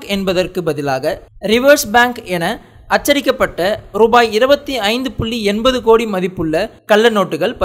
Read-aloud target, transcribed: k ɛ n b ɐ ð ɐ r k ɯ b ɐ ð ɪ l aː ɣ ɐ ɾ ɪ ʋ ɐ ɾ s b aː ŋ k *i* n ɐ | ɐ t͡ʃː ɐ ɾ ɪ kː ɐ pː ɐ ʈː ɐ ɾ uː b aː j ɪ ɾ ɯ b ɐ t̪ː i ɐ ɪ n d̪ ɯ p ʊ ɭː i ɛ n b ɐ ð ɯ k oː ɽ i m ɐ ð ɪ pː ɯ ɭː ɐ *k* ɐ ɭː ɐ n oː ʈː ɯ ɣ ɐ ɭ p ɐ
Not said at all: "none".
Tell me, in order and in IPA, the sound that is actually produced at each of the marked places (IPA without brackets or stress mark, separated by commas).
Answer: ɛ, k